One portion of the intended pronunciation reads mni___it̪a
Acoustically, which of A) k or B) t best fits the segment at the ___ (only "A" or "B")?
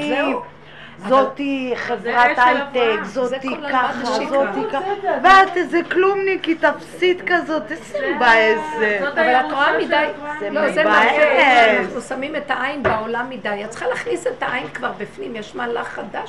A